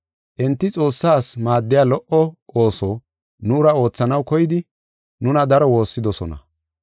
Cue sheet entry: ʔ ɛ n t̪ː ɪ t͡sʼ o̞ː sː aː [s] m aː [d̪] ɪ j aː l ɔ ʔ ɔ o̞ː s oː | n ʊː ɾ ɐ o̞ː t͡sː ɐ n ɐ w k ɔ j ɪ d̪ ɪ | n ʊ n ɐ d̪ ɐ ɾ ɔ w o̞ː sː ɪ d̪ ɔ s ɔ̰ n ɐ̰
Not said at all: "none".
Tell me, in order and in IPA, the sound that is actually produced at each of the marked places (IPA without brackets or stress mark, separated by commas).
s, d̪ː